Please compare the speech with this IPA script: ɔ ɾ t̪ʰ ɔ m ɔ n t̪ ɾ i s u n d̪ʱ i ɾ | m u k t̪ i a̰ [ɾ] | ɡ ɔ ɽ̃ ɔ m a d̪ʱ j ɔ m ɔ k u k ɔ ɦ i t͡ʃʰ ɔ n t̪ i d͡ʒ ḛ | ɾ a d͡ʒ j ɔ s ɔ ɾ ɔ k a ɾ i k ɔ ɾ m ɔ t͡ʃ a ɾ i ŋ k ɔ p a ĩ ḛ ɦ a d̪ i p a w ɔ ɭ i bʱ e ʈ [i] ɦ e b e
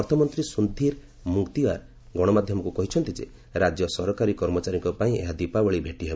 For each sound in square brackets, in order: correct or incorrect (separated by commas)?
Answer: correct, correct